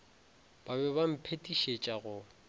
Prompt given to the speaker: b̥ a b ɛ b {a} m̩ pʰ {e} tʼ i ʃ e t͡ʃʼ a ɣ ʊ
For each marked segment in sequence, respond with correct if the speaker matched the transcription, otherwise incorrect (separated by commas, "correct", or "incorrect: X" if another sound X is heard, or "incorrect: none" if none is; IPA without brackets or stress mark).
correct, correct